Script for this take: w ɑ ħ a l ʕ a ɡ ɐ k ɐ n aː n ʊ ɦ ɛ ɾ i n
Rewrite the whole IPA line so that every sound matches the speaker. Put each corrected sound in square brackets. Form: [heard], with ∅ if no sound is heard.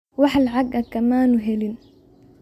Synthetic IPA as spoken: w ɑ ħ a l ʕ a ɡ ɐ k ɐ [m] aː n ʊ ɦ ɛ [l] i n

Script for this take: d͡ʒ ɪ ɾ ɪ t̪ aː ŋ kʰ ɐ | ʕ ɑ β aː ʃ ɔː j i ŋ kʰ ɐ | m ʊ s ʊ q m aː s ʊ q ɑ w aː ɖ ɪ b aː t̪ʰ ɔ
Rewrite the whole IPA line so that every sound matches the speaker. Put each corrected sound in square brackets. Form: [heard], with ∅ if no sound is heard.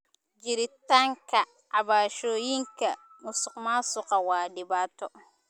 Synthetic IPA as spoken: d͡ʒ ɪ ɾ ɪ t̪ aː ŋ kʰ ɐ | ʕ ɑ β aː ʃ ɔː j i ŋ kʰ ɐ | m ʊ s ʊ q m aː s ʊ q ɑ w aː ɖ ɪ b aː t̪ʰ ɔ

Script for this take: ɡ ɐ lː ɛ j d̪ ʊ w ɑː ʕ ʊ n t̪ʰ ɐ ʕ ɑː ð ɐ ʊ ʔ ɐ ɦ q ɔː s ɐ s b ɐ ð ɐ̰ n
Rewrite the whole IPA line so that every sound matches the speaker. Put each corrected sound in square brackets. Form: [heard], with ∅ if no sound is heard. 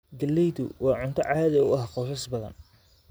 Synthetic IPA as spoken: ɡ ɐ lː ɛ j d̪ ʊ w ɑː ʕ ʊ n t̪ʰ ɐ ʕ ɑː ð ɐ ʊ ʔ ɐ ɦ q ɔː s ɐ s b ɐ ð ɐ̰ n

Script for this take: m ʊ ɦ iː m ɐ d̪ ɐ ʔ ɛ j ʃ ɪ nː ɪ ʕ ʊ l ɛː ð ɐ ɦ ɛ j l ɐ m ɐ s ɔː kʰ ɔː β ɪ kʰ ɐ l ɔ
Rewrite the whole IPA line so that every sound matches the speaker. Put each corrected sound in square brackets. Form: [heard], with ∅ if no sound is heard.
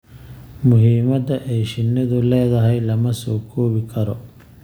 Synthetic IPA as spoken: m ʊ ɦ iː m ɐ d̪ ɐ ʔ ɛ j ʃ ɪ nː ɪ [ð] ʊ l ɛː ð ɐ ɦ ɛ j l ɐ m ɐ s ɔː kʰ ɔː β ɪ kʰ ɐ [ɾ] ɔ

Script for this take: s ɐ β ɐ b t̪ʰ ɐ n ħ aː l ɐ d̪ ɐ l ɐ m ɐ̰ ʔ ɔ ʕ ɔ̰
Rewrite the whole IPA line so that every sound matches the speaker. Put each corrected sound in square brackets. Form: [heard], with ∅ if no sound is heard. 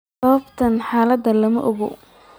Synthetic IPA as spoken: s ɐ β ɐ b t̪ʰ ɐ n ħ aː l ɐ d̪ ɐ l ɐ m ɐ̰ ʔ ɔ [ɣ] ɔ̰

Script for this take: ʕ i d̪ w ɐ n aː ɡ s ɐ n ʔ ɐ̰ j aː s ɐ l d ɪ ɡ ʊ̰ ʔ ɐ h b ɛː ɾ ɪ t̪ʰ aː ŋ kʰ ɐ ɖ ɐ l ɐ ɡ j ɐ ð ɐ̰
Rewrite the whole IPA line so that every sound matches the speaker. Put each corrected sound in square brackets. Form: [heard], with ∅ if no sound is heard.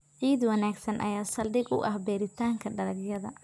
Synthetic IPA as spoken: ʕ [iː] d̪ w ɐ n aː ɡ s ɐ n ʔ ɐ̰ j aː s ɐ l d ɪ ɡ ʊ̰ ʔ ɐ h b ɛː ɾ ɪ t̪ʰ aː ŋ kʰ ɐ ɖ ɐ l ɐ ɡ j ɐ ð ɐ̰

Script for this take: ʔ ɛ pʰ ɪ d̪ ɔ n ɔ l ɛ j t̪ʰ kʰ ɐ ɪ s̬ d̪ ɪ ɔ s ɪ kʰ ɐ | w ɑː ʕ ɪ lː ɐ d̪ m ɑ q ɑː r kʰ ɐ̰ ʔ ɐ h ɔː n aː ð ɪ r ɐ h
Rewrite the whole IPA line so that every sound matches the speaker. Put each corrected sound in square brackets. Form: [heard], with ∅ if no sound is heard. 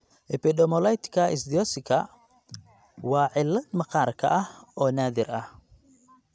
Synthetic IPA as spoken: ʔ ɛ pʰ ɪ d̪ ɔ [m] ɔ l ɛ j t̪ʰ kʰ ɐ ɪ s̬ d̪ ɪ ɔ s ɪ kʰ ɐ | w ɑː ʕ ɪ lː ɐ d̪ m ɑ q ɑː r kʰ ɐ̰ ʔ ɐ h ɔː n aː ð ɪ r ɐ h

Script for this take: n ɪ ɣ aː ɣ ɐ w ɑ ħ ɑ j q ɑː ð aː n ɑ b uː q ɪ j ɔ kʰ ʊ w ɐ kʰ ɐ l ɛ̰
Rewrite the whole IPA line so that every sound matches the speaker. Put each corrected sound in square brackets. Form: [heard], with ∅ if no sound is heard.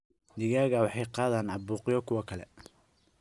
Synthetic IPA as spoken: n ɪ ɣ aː ɣ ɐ w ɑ ħ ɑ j q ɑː ð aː n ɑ b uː q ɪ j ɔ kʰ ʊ w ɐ kʰ ɐ l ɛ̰

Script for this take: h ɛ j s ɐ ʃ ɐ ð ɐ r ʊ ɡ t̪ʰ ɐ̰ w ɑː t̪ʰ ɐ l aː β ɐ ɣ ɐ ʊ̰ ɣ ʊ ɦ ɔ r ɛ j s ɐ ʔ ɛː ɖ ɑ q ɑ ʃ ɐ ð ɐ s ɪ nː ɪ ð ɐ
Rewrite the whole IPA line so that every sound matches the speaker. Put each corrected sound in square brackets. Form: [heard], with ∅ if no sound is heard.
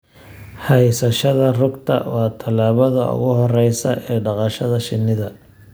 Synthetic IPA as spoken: h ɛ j s ɐ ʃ ɐ ð ɐ r ʊ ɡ t̪ʰ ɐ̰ w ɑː t̪ʰ ɐ l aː β ɐ [ð] ɐ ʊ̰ ɣ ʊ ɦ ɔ r ɛ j s ɐ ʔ ɛː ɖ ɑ q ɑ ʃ ɐ ð ɐ [ʃ] ɪ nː ɪ ð ɐ

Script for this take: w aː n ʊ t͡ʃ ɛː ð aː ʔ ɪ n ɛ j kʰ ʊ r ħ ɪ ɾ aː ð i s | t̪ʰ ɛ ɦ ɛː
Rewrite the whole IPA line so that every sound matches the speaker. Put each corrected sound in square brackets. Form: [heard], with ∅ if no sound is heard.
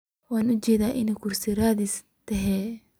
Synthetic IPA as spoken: w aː n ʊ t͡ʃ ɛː ð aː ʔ ɪ n ɛ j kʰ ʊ r [s] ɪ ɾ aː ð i s | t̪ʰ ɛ ɦ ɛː

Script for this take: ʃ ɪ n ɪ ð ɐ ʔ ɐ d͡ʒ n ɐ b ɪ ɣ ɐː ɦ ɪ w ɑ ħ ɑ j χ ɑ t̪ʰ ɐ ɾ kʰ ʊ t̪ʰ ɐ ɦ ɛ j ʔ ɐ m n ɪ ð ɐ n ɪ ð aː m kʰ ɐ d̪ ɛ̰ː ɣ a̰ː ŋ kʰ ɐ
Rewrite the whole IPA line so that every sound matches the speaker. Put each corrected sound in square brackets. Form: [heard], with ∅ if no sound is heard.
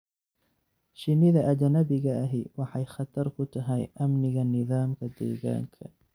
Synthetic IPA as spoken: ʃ ɪ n ɪ ð ɐ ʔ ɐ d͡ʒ n ɐ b ɪ ɣ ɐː ɦ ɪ w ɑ ħ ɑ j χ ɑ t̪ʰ ɐ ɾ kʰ ʊ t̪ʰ ɐ ɦ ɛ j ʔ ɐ m n ɪ [ɣ] ɐ n ɪ ð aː m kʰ ɐ d̪ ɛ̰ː ɣ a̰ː ŋ kʰ ɐ

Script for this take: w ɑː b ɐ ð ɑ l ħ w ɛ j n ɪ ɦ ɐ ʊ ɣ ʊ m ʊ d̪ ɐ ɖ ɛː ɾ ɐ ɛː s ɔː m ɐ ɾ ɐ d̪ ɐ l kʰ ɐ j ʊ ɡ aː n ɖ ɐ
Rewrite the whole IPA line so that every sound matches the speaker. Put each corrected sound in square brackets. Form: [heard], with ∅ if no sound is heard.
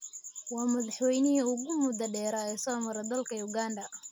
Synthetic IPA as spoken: w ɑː [m] ɐ ð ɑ [∅] ħ w ɛ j n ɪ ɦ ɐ ʊ ɣ ʊ m ʊ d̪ ɐ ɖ ɛː ɾ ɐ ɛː s ɔː m ɐ ɾ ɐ d̪ ɐ l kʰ ɐ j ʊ ɡ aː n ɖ ɐ

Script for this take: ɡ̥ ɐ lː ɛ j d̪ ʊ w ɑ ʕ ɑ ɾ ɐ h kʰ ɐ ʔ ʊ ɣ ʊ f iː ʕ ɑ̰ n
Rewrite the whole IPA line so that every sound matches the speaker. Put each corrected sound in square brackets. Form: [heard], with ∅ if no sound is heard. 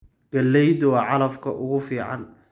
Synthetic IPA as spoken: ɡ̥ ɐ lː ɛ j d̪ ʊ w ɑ ʕ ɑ [l] ɐ [f] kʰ ɐ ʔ ʊ ɣ ʊ f iː ʕ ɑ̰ n

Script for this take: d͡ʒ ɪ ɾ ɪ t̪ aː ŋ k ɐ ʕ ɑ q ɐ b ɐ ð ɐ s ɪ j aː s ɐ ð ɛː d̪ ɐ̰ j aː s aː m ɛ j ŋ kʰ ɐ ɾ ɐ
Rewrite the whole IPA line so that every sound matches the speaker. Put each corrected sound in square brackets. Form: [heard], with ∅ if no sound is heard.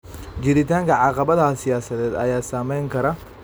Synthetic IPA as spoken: d͡ʒ ɪ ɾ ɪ t̪ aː ŋ k ɐ ʕ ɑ q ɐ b ɐ ð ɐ s ɪ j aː s ɐ ð ɛː d̪ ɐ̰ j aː s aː m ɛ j ŋ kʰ ɐ ɾ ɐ

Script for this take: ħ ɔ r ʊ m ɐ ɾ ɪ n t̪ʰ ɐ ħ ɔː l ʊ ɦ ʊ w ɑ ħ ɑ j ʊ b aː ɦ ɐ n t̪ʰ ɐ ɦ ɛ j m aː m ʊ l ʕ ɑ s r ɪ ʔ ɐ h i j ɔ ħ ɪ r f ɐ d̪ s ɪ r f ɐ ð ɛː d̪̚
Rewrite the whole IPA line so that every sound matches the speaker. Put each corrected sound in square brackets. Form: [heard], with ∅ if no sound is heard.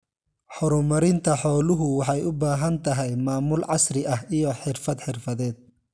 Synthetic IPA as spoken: ħ ɔ [ɾ] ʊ m ɐ ɾ ɪ n t̪ʰ ɐ ħ ɔː l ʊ ɦ ʊ w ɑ ħ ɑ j ʊ b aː ɦ ɐ n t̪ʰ ɐ ɦ ɛ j m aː m ʊ l ʕ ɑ s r ɪ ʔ ɐ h i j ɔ ħ ɪ r f ɐ d̪ [ħ] ɪ r f ɐ ð ɛː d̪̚

